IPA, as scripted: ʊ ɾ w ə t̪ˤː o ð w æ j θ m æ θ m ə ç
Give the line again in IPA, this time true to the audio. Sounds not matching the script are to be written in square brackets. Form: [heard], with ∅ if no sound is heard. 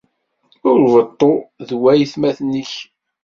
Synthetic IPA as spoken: ʊ ɾ [v] ə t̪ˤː o ð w æ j θ m æ θ [n] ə ç

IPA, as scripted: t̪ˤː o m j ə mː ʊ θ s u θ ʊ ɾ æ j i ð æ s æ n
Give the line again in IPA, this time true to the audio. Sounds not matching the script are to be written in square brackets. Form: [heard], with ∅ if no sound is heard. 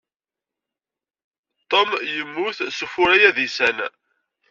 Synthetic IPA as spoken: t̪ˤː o m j ə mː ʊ θ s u [f] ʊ ɾ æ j [æ] ð [i] s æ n

